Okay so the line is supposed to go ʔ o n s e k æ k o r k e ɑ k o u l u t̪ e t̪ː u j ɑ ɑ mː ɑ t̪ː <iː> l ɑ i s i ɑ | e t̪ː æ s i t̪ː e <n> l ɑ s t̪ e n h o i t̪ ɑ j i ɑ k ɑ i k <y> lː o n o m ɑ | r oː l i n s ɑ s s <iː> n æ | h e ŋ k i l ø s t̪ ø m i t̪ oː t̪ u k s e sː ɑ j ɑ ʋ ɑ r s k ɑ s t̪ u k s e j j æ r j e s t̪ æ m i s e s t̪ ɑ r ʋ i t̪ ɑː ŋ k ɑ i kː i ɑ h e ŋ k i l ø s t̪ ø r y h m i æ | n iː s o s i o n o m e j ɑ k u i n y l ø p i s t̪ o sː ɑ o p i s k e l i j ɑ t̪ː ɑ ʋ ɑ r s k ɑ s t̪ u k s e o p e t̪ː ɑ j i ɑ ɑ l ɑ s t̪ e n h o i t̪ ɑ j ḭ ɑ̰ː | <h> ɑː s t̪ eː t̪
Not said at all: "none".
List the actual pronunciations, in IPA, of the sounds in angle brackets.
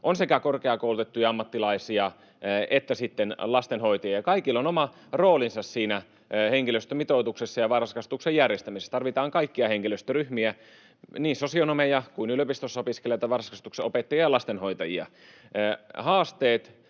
i, n, i, iː, h

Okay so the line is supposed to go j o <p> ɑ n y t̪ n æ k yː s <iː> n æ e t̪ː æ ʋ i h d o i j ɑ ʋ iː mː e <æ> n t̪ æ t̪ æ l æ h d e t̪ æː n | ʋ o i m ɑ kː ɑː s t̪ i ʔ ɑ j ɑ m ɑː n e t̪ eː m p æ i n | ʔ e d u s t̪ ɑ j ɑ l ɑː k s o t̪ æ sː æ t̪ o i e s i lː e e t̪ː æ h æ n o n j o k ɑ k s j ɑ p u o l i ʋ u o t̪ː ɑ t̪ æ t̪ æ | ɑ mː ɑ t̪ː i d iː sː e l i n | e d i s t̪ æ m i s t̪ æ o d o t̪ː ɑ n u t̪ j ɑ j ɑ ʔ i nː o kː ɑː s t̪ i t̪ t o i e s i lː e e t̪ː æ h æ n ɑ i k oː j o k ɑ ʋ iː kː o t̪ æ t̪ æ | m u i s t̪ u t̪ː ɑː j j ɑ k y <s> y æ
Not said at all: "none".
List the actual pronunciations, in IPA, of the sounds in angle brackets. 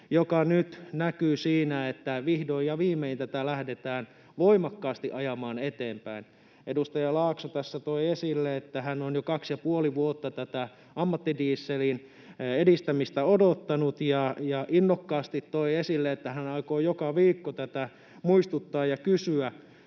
k, iː, i, s

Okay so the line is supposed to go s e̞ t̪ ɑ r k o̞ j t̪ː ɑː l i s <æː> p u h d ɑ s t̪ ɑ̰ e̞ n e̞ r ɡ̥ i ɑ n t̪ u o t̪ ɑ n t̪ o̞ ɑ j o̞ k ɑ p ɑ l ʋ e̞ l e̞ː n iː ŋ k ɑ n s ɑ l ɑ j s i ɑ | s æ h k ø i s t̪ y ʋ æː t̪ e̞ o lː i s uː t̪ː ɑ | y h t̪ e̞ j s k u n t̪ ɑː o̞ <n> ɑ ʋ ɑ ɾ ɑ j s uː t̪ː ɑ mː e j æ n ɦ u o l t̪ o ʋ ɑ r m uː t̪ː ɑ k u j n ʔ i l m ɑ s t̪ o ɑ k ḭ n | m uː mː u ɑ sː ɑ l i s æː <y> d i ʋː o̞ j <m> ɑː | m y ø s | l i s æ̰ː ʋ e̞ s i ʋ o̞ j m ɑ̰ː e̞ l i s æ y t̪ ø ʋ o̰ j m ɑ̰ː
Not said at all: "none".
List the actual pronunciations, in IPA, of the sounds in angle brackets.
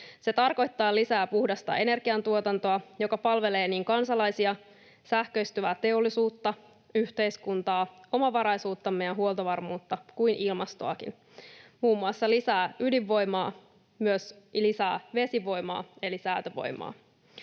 æː, m, y, m

